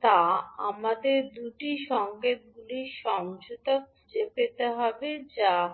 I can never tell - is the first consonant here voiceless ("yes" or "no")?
yes